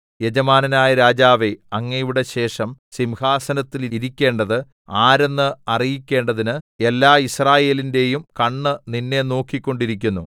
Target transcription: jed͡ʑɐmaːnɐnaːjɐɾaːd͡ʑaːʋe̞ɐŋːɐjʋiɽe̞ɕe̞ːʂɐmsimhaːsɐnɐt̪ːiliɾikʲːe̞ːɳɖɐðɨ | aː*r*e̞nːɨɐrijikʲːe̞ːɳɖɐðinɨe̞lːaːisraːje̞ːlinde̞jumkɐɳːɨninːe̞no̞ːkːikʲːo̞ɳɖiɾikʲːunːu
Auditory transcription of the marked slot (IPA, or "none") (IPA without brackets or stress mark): ɾ